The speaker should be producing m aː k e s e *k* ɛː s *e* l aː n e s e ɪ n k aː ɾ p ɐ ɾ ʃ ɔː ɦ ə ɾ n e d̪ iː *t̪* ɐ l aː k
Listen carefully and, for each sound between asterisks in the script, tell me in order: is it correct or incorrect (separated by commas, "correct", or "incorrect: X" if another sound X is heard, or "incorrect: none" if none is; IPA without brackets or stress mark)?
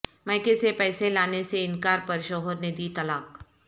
incorrect: p, correct, correct